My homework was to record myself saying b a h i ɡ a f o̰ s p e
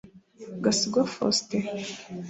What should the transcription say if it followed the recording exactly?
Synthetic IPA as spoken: ɡ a s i ɡ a f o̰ s t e